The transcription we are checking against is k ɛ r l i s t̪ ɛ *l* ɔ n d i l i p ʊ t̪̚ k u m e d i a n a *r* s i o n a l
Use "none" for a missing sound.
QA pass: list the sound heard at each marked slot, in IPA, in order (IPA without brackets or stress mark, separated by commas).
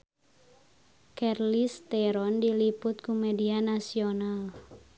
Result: ɾ, none